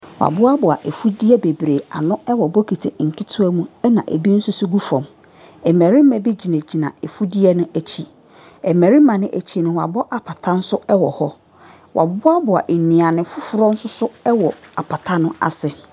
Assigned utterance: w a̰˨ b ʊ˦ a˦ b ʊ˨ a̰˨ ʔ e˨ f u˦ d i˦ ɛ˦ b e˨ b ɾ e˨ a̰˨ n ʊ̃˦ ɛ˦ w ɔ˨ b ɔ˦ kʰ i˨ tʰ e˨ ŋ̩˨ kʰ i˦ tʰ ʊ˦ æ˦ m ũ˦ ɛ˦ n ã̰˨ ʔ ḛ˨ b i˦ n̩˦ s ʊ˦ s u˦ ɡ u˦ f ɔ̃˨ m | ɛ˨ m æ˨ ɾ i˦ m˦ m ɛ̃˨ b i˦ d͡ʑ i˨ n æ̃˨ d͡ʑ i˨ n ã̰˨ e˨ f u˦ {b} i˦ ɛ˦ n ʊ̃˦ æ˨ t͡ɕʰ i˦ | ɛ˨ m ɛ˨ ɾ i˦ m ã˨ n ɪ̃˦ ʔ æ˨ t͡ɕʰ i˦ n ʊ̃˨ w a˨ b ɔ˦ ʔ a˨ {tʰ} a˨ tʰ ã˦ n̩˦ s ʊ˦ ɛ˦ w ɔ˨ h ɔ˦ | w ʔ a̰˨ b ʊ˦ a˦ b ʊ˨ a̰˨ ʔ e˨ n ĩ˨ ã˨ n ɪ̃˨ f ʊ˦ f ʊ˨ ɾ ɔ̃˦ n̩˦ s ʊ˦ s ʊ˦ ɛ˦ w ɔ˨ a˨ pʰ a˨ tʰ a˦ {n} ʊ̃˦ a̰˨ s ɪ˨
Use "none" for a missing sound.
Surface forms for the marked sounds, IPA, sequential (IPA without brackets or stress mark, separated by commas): d, pʰ, n